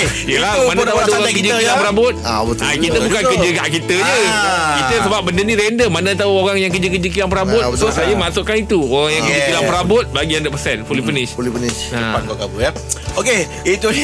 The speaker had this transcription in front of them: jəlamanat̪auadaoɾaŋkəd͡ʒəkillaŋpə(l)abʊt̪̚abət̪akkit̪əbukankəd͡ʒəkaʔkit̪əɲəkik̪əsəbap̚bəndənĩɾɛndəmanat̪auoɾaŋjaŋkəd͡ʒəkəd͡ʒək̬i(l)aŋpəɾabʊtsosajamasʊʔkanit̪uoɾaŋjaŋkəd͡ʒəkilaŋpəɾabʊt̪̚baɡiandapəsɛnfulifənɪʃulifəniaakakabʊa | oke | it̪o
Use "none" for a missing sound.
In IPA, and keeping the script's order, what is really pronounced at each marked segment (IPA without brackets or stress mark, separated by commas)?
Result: ɾ, l